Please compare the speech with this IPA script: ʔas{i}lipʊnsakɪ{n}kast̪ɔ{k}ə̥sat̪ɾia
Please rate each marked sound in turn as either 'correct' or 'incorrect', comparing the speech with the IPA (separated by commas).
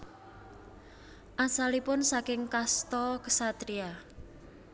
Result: incorrect, incorrect, correct